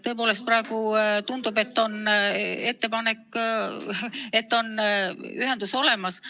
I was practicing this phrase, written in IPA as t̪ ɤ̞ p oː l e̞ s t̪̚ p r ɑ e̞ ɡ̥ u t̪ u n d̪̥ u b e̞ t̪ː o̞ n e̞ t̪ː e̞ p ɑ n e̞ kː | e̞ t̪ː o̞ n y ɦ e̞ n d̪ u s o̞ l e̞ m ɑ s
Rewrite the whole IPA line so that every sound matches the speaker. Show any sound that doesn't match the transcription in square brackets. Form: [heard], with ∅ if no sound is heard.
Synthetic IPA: t̪ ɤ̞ p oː l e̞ s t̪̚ p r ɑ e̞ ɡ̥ u t̪ u n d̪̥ u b e̞ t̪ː o̞ n e̞ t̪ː e̞ p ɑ n e̞ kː | e̞ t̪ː o̞ n y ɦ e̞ n d̪ u s o̞ l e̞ m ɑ s